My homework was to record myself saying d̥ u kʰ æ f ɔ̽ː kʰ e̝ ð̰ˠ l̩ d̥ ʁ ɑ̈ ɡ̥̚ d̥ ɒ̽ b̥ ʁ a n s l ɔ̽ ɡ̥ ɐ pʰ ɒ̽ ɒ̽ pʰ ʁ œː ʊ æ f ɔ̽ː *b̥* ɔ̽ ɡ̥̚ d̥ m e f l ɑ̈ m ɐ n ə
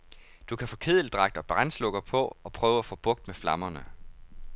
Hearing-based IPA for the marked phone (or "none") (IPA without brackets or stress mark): b̥